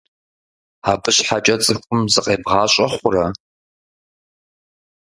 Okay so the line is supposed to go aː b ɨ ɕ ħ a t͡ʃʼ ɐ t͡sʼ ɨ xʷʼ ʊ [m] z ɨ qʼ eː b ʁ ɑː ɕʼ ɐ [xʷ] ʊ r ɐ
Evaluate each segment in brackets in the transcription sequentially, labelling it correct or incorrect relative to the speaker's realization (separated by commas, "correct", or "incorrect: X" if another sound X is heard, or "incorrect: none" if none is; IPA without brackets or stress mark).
correct, incorrect: χʷ